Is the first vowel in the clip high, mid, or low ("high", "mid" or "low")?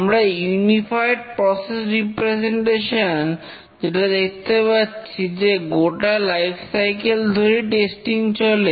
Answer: low